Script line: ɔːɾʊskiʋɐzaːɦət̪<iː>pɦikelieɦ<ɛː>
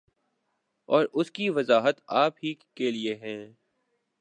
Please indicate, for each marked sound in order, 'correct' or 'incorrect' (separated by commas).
incorrect, incorrect